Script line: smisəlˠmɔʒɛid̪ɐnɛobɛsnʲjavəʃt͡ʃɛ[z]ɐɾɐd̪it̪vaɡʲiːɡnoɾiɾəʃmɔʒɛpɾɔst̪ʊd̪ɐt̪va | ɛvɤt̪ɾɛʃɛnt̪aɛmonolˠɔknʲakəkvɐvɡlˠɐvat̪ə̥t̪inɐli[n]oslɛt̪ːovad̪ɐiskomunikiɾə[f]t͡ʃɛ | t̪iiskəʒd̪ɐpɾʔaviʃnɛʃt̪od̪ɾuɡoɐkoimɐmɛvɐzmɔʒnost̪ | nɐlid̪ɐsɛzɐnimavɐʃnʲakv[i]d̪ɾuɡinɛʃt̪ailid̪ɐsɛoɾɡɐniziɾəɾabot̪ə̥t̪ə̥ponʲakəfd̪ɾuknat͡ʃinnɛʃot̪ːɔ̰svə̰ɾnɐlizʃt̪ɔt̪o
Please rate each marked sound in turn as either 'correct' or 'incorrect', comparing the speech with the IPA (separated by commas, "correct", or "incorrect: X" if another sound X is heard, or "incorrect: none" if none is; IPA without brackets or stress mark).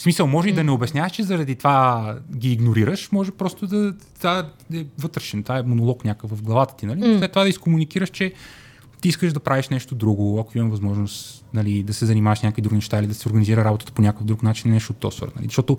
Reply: correct, correct, incorrect: ʃ, correct